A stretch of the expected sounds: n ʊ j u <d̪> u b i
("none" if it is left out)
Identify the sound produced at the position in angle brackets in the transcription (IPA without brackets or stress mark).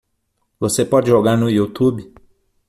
t̪